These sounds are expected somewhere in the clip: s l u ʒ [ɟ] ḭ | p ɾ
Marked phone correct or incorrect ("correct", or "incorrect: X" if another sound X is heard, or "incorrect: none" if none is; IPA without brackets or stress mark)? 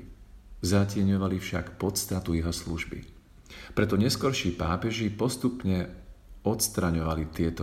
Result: incorrect: b